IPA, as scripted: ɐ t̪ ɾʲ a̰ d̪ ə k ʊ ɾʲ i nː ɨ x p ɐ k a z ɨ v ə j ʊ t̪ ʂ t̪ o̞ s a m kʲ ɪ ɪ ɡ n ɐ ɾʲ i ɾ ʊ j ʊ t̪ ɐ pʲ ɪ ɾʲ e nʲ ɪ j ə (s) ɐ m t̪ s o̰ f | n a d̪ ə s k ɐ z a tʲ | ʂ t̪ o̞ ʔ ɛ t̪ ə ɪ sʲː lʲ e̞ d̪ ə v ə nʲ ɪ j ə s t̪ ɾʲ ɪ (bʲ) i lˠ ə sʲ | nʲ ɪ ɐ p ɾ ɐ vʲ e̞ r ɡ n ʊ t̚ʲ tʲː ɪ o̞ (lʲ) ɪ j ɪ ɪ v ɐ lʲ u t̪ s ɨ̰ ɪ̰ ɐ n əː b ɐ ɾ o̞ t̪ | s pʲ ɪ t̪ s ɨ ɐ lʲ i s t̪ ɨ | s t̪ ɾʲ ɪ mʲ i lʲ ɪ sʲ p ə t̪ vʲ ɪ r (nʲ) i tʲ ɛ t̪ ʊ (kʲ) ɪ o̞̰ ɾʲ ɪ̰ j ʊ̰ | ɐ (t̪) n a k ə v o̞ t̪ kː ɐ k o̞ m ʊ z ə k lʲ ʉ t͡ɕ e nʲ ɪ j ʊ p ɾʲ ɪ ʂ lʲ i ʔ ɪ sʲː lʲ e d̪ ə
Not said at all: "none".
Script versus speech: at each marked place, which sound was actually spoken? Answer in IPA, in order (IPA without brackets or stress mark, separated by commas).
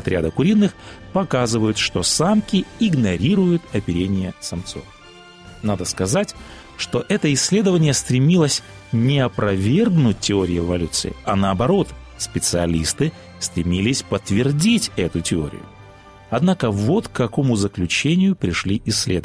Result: s, mʲ, ɾʲ, dʲ, tʲ, d̪